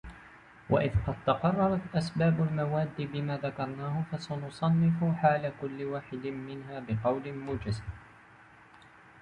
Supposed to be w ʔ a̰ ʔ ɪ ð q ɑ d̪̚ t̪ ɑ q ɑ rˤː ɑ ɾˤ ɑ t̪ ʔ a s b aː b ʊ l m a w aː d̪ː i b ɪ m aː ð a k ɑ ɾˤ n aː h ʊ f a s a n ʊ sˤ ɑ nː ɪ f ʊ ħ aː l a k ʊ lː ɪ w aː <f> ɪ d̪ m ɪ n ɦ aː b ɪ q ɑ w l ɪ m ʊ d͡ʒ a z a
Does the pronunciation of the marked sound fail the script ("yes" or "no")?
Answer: yes